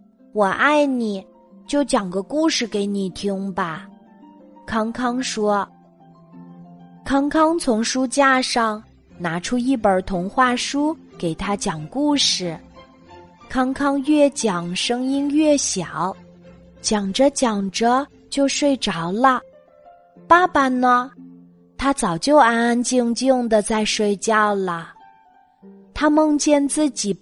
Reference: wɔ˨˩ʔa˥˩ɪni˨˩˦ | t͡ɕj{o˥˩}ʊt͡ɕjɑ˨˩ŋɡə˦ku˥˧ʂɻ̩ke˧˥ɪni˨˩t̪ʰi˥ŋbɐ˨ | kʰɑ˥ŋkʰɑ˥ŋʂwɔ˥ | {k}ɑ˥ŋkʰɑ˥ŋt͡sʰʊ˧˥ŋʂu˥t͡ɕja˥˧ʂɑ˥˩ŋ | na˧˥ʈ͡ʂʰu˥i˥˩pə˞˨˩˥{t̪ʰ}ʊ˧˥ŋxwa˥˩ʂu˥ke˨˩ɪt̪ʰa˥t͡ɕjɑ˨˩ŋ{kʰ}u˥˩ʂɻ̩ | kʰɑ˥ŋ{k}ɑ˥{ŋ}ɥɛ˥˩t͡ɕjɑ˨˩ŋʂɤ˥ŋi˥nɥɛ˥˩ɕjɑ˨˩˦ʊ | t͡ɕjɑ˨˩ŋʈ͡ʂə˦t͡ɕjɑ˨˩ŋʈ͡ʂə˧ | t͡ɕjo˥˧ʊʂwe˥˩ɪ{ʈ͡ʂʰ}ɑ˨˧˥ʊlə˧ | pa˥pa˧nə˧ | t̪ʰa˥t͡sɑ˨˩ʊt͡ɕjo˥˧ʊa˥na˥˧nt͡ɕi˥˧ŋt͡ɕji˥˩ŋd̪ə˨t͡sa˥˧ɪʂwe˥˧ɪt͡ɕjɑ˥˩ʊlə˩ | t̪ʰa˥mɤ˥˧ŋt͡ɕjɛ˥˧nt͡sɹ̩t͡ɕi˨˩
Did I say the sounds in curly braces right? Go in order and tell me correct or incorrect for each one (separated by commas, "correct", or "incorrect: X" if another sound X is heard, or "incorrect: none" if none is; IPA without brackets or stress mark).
correct, incorrect: kʰ, correct, incorrect: k, incorrect: kʰ, correct, incorrect: ʈ͡ʂ